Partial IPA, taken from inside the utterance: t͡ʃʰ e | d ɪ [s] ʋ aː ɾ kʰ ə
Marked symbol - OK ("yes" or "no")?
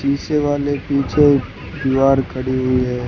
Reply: no